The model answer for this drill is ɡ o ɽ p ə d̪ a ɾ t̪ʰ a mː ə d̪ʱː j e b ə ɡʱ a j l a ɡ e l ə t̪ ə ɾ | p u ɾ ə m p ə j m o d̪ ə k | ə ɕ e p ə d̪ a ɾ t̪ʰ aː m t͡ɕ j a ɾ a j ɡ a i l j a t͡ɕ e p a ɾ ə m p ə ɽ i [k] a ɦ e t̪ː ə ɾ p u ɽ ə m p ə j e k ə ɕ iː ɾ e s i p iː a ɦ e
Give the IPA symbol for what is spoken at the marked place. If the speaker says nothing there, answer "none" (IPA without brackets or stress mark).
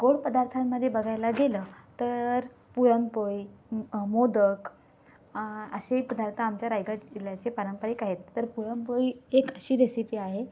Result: k